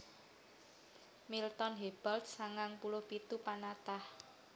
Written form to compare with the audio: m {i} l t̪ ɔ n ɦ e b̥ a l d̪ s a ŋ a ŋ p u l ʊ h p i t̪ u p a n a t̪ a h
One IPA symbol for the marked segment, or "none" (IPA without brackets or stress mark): i